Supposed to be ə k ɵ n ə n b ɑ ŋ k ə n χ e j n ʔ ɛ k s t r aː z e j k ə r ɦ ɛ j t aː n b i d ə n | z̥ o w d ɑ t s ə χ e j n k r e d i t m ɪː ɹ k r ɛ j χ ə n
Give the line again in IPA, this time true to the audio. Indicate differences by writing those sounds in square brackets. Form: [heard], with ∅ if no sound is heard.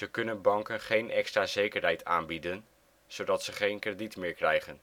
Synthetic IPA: ə k ɵ n ə n b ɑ ŋ k ə n χ e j n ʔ ɛ k s t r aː z e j k ə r ɦ ɛ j t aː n b i d ə n | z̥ o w d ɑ t s ə χ e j n k r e d i t m ɪː ɹ k r ɛ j χ ə n